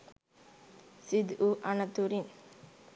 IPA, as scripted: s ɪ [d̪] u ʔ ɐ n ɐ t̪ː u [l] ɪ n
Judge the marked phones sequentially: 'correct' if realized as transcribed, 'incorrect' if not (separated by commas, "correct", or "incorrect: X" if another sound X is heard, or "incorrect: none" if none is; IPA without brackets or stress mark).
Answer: correct, incorrect: ɾ